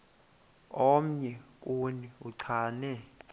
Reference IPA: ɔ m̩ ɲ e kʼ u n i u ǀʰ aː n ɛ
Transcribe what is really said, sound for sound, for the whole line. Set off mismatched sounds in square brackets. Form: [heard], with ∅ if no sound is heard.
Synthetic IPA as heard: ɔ m̩ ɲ [ɛ] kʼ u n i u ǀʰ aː n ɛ